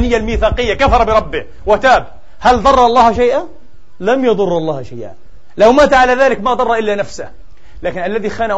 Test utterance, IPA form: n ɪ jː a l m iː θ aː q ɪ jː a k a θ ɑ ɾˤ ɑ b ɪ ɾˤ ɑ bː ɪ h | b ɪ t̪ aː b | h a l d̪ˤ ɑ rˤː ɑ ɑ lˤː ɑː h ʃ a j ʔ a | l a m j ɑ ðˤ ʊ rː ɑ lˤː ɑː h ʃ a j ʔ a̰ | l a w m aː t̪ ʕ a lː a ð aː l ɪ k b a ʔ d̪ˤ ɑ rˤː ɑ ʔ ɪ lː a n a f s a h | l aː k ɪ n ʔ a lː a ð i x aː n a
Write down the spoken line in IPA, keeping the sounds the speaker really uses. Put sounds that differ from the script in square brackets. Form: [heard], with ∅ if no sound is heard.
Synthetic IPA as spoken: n ɪ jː a l m iː θ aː q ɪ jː a k a [f] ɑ ɾˤ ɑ b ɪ ɾˤ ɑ bː ɪ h | [w] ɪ t̪ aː b | h a l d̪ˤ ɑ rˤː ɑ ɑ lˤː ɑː h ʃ a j ʔ a | l a m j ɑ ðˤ ʊ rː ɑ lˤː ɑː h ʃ a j ʔ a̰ | l a w m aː t̪ ʕ a [l] a ð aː l ɪ k [m] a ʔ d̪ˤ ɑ rˤː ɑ ʔ ɪ lː a n a f s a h | l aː k ɪ n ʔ a lː a ð i x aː n a